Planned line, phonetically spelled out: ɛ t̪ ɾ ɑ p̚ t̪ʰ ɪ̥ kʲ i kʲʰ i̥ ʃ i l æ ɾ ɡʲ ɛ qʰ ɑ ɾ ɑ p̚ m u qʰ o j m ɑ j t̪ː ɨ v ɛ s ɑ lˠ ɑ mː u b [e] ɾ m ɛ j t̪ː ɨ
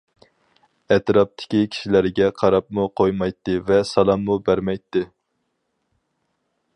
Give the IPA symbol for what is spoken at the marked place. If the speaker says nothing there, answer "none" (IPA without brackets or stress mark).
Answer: æ